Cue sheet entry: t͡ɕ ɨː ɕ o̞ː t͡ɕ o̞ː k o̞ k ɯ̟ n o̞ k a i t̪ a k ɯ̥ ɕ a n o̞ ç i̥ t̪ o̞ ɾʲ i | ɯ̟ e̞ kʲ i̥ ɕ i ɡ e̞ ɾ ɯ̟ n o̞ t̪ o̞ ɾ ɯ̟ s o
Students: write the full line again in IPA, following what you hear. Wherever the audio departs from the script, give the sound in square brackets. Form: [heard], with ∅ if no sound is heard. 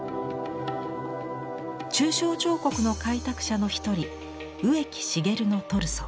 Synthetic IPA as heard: t͡ɕ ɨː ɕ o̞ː t͡ɕ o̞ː k o̞ k ɯ̟ n o̞ k a i t̪ a k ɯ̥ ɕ a n o̞ ç i̥ t̪ o̞ ɾʲ i | ɯ̟ e̞ kʲ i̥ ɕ i ɡ e̞ ɾ ɯ̟ n o̞ t̪ o̞ ɾ ɯ̟ s o